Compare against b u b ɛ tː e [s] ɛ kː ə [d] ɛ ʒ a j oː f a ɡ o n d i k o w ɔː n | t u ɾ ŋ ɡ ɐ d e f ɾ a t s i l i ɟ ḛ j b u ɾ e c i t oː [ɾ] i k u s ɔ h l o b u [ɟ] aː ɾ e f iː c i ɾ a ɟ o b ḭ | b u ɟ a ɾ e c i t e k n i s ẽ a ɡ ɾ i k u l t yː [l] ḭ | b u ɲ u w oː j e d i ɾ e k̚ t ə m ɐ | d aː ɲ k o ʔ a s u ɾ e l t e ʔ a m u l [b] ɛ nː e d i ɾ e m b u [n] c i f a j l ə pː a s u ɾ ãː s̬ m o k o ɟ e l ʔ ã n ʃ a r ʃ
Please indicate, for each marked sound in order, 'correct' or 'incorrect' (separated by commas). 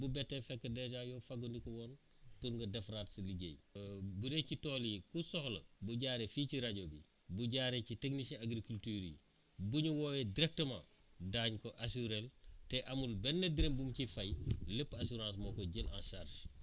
incorrect, correct, incorrect, correct, incorrect, correct, incorrect